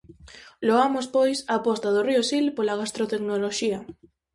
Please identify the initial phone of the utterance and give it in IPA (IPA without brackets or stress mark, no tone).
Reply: l